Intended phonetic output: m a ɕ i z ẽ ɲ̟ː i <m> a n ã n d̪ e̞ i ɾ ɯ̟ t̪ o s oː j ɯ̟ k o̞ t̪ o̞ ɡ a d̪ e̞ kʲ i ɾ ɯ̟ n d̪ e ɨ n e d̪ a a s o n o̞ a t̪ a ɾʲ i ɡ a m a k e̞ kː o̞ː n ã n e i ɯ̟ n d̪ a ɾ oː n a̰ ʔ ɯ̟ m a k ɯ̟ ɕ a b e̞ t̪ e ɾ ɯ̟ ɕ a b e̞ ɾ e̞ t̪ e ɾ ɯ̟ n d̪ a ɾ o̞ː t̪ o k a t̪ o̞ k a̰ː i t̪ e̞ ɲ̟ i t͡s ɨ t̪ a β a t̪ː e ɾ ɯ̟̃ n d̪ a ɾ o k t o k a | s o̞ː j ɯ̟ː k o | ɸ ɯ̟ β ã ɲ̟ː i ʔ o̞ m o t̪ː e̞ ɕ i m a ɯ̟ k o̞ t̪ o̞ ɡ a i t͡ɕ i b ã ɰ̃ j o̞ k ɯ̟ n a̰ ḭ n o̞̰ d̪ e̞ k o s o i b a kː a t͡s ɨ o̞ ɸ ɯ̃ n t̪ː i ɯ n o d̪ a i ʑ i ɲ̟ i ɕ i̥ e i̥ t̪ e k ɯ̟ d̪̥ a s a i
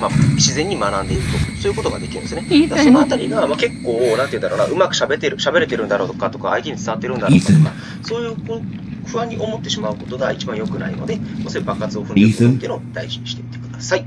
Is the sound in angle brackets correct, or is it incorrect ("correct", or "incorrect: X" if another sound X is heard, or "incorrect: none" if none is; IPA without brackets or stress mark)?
correct